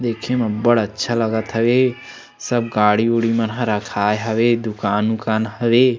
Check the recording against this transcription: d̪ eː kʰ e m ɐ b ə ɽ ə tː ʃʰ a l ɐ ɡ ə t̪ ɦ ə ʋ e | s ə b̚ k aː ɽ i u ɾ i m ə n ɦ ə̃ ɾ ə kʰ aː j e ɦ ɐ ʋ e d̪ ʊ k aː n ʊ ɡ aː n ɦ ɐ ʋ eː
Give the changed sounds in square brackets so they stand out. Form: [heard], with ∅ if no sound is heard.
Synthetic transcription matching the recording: d̪ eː kʰ e m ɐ b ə ɽ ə tː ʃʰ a l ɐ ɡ ə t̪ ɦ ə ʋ e | s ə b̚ [ɡ] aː ɽ i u [ɽ] i m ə n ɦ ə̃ ɾ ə kʰ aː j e ɦ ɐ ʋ e d̪ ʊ k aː n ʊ [k] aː n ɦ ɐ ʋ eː